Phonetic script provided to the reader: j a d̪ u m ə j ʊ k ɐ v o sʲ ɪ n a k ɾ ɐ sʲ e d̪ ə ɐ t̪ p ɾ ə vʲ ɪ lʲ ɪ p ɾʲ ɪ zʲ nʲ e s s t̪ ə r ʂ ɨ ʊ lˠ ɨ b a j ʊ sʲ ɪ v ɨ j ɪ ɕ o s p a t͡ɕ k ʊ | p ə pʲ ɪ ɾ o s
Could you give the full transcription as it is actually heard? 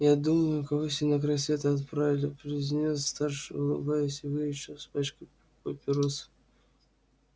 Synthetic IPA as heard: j a d̪ u m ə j ʊ k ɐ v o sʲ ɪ n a k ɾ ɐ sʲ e t̪ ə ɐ t̪ p ɾ a vʲ ɪ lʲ ɪ p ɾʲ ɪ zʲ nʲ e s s t̪ a r ʂ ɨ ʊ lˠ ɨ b a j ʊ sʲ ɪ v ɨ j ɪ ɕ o s p a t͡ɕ k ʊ | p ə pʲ ɪ ɾ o s